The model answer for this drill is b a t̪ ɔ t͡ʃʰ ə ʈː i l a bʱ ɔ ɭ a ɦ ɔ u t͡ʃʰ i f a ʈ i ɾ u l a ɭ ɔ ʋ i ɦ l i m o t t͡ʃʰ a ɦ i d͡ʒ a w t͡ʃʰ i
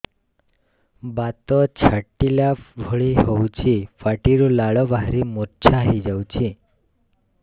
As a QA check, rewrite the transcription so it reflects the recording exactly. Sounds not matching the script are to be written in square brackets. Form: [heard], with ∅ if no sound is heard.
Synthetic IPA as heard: b a t̪ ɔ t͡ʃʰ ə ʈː i l a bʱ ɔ ɭ [i] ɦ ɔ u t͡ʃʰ i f a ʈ i ɾ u l a ɭ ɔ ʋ [a] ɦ [ɾ] i m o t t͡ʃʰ a ɦ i d͡ʒ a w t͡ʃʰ i